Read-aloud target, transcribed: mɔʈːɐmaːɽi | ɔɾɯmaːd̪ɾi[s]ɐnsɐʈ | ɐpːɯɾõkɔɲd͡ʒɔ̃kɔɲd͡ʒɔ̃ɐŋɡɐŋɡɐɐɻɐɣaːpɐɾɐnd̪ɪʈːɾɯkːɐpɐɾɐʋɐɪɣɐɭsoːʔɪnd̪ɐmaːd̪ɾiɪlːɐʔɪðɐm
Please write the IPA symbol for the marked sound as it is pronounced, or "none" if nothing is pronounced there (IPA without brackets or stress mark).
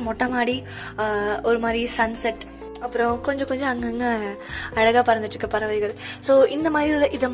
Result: s